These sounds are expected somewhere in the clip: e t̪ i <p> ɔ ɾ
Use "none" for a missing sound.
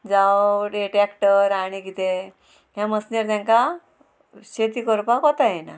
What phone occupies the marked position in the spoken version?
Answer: k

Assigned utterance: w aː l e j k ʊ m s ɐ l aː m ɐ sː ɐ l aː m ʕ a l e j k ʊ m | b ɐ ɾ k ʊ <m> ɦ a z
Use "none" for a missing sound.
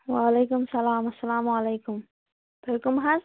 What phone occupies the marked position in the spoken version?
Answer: m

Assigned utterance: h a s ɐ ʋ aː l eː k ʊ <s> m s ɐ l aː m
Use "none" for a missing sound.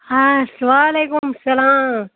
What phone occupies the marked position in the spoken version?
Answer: none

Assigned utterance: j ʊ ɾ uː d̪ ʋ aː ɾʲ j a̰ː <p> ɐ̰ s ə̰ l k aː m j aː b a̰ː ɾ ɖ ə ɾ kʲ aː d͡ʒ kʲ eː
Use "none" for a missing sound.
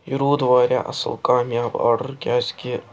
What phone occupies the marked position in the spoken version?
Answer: ʔ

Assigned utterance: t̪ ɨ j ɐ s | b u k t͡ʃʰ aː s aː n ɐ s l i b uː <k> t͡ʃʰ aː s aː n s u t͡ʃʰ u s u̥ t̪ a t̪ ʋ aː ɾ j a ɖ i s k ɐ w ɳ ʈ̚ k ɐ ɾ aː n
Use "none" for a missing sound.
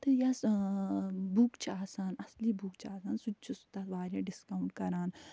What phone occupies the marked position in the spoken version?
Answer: k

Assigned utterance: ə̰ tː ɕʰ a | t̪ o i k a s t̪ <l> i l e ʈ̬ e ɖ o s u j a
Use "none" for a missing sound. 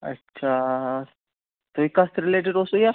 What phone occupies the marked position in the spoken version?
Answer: ɾ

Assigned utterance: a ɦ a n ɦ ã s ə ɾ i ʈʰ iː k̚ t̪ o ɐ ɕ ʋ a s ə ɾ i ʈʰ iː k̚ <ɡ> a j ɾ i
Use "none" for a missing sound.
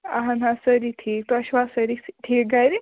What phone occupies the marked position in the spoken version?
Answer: ɡ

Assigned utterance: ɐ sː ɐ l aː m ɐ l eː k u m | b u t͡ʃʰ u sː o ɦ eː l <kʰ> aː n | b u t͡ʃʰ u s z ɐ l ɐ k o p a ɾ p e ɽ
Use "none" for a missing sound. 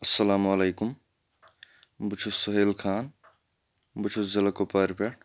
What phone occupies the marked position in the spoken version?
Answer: kʰ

